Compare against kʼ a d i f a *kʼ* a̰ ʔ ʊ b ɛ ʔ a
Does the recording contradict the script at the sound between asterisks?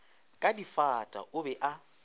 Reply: yes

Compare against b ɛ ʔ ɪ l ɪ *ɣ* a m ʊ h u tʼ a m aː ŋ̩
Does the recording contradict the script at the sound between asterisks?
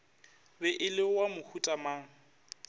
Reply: yes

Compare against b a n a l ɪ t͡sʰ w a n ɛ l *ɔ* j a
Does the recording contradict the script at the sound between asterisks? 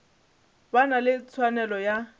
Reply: no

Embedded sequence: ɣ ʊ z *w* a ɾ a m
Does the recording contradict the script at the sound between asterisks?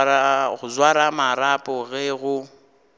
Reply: no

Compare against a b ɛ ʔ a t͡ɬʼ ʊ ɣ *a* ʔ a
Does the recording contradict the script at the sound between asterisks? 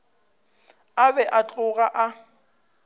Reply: no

